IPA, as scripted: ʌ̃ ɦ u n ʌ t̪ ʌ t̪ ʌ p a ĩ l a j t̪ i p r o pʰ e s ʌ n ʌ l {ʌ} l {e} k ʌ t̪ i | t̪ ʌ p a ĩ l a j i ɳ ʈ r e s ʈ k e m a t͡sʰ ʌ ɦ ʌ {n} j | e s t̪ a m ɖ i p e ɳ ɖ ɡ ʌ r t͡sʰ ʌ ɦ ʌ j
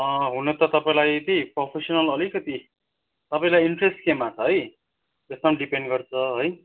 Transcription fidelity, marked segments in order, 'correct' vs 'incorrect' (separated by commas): correct, incorrect, incorrect